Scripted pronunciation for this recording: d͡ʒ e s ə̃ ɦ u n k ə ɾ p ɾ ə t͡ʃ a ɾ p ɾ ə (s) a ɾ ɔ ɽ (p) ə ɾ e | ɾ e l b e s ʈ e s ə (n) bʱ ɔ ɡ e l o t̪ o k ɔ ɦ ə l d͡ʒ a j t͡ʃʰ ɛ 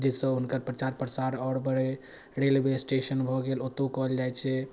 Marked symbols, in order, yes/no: yes, no, yes

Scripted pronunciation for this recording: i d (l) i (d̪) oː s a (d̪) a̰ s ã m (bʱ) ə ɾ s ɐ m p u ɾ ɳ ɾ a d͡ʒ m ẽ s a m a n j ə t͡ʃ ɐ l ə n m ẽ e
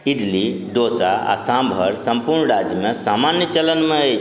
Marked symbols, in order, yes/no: yes, yes, no, yes

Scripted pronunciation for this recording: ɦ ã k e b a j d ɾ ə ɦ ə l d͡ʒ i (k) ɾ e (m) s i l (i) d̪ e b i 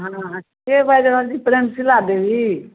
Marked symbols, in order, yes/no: no, yes, no

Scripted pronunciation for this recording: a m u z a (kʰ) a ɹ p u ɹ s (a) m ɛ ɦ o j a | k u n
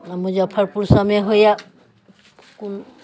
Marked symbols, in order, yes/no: no, yes

